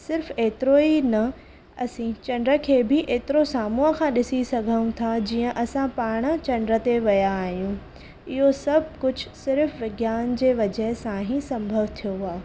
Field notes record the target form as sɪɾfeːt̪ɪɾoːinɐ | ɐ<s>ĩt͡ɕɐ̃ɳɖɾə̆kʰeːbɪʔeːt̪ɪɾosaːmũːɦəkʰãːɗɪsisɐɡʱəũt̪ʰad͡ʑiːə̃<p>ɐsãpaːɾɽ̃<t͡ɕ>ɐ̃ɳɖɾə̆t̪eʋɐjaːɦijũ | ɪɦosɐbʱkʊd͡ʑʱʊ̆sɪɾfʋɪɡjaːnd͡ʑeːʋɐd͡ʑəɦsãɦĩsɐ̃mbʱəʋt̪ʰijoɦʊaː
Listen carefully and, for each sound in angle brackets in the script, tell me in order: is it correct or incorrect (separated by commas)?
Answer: correct, incorrect, correct